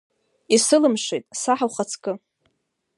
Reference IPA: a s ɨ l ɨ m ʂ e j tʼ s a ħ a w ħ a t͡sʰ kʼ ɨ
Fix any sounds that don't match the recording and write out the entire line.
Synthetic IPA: i s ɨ l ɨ m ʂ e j tʼ s a ħ a w χ a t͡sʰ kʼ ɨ